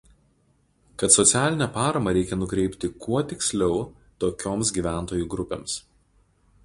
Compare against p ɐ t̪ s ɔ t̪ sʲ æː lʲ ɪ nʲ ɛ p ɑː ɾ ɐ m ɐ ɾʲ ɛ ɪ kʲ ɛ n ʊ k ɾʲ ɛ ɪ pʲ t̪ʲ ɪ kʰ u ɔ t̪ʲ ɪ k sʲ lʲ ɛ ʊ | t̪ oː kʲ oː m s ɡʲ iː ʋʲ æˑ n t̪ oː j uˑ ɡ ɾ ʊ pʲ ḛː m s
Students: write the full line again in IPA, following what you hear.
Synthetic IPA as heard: k ɐ t̪ s ɔ t̪ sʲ æː lʲ ɪ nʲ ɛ p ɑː ɾ ɐ m ɐ ɾʲ ɛ ɪ kʲ ɛ n ʊ k ɾʲ ɛ ɪ pʲ t̪ʲ ɪ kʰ u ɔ t̪ʲ ɪ k sʲ lʲ ɛ ʊ | t̪ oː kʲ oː m s ɡʲ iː ʋʲ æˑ n t̪ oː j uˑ ɡ ɾ ʊ pʲ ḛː m s